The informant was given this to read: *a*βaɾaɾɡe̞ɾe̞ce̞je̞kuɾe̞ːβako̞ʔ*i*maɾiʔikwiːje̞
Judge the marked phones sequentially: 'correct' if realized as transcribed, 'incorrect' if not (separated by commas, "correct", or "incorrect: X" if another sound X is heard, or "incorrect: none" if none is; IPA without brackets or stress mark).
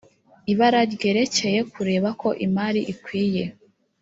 incorrect: i, correct